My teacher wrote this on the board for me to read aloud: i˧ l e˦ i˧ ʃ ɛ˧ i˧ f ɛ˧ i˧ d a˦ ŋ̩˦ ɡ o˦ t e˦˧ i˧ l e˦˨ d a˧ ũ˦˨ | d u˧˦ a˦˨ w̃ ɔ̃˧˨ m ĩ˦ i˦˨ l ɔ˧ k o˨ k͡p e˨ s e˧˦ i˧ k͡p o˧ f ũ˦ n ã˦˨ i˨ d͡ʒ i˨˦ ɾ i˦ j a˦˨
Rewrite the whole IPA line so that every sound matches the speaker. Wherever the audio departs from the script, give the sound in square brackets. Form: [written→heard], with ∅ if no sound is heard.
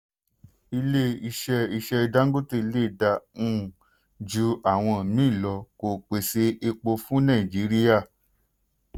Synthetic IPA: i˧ l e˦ i˧ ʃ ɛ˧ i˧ [f→ʃ] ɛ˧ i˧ d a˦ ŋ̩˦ ɡ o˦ t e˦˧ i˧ l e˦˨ d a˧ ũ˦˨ | [d→d͡ʒ] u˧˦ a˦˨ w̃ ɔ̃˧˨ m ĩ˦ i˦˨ l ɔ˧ k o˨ k͡p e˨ s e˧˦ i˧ k͡p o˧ f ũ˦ n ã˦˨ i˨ d͡ʒ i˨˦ ɾ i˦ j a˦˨